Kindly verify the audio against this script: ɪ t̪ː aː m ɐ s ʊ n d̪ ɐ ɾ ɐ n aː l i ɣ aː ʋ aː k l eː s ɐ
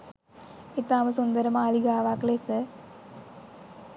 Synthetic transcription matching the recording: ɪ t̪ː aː m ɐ s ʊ n d̪ ɐ ɾ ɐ m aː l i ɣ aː ʋ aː k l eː s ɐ

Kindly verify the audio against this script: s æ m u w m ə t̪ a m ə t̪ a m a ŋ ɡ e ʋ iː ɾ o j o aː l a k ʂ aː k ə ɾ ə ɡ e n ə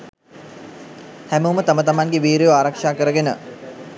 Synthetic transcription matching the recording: h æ m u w m ə t̪ a m ə t̪ a m a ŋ ɡ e ʋ iː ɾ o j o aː ɾ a k ʂ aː k ə ɾ ə ɡ e n ə

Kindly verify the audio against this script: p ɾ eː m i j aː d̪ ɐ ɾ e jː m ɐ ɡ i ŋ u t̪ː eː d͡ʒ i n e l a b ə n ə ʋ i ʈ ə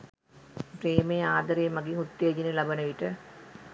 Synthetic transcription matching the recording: p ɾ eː m e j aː d̪ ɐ ɾ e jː m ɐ ɡ i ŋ u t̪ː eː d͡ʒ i n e l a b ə n ə ʋ i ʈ ə

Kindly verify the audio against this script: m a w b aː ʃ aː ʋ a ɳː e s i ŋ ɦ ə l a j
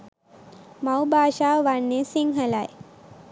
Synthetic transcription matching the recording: m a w b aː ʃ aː ʋ a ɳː e s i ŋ ɦ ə l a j

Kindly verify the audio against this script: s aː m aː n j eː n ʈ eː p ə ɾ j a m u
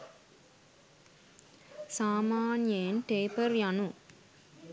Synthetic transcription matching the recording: s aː m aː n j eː n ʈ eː p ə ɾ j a n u

